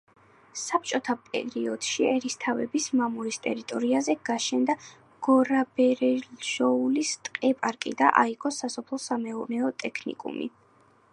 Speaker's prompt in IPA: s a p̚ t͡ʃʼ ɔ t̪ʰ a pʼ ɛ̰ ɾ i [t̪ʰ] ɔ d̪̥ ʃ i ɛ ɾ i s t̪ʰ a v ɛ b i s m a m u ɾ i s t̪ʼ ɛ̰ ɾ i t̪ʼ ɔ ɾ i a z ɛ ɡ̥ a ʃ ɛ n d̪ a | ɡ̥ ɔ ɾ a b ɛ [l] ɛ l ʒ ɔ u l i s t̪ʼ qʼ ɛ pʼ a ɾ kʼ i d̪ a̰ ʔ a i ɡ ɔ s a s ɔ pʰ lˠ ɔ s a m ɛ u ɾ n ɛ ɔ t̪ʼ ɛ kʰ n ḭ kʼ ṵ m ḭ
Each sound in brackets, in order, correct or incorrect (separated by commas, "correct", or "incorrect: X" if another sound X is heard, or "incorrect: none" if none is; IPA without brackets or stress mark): incorrect: none, incorrect: ɾ